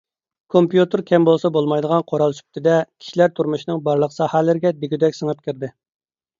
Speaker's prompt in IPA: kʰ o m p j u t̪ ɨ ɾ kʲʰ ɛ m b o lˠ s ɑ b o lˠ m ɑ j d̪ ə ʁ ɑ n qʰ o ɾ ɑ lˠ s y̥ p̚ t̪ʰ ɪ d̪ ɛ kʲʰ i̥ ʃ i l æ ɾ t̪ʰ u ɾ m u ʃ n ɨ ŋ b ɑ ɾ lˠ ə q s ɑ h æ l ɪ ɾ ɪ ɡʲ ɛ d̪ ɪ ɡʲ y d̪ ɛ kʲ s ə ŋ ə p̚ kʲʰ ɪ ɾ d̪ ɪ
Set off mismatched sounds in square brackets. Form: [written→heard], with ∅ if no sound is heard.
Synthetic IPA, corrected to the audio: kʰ o m p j u t̪ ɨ ɾ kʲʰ ɛ m b o lˠ s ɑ b o lˠ m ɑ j d̪ ə ʁ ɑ n qʰ o ɾ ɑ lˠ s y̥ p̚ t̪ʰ ɪ d̪ ɛ kʲʰ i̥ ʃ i l æ ɾ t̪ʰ u ɾ m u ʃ n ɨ ŋ b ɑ ɾ lˠ ə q s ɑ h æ l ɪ ɾ ɪ ɡʲ ɛ d̪ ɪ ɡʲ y d̪ ɛ kʲ s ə ŋ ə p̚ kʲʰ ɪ ɾ d̪ ɪ